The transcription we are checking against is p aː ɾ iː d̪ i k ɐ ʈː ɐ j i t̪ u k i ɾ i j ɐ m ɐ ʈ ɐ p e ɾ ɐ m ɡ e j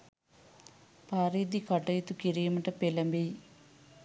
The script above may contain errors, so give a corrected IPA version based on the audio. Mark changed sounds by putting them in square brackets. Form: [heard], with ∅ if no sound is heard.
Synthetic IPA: p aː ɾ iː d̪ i k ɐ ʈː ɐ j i t̪ u k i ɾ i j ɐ m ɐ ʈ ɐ p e [l] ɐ m [b] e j

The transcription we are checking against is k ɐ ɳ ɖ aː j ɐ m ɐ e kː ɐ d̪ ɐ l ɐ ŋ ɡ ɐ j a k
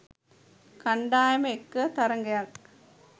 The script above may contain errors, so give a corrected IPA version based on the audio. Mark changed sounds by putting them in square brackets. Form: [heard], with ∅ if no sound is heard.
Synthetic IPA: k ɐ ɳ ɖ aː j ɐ m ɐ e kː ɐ [t̪] ɐ [ɾ] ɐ ŋ ɡ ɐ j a k

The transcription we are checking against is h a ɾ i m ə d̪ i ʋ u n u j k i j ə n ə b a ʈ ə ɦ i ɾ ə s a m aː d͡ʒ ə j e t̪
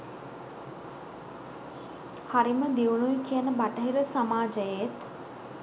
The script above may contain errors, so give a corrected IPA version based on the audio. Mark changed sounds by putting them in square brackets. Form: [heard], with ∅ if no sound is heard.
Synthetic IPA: h a ɾ i m ə d̪ i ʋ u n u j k i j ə n ə b a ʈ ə ɦ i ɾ ə s a m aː d͡ʒ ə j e t̪

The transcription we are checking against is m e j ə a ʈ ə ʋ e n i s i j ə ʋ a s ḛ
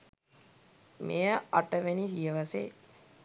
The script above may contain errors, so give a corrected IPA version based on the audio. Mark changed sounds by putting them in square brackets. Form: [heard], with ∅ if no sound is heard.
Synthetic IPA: m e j ə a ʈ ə ʋ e n i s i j ə ʋ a s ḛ

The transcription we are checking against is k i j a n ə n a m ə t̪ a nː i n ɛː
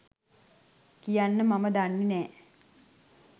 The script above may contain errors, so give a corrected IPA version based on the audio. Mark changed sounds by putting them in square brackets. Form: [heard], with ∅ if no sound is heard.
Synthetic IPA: k i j a [nː] ə [m] a m ə [d̪] a nː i n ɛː

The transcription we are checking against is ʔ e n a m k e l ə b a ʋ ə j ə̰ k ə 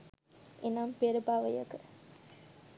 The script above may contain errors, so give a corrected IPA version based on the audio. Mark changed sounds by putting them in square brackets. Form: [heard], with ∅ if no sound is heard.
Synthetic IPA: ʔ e n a m [p] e [ɾ] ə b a ʋ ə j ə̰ k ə

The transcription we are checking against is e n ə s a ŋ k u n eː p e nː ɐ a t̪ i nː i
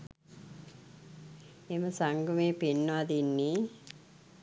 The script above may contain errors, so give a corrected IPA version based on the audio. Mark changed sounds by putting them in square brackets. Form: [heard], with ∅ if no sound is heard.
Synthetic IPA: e [m] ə s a ŋ [ɡ] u [m] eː p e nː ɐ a [d̪] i nː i

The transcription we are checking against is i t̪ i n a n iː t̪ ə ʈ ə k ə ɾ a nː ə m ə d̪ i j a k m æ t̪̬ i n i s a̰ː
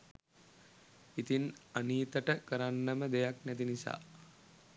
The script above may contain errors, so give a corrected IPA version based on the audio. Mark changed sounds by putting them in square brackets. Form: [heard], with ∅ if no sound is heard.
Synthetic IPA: i t̪ i n a n iː t̪ ə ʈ ə k ə ɾ a nː ə m ə d̪ [e] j a k [n] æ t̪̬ i n i s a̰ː

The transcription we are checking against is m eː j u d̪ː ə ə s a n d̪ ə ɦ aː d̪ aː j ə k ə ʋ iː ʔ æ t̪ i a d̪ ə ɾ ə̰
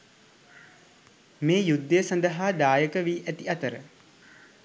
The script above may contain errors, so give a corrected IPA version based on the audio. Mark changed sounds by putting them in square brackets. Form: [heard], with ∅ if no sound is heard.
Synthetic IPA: m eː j u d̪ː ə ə s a n d̪ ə ɦ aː d̪ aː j ə k ə ʋ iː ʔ æ t̪ i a [t̪] ə ɾ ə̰

